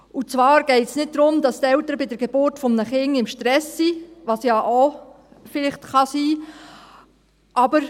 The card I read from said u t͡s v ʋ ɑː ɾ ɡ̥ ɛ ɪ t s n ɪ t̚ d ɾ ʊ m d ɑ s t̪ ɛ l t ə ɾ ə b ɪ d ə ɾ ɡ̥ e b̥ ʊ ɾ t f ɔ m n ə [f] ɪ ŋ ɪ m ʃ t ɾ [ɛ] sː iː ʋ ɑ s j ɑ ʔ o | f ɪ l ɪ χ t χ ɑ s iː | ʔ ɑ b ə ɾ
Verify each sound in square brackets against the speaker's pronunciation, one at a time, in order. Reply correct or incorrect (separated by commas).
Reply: incorrect, correct